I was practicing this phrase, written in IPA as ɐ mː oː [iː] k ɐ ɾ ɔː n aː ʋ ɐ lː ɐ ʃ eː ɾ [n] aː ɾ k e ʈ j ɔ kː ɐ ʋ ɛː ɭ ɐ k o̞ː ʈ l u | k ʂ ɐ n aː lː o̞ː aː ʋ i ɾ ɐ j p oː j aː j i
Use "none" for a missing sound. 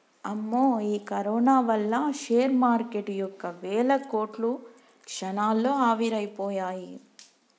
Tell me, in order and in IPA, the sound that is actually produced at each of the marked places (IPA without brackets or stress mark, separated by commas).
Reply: iː, m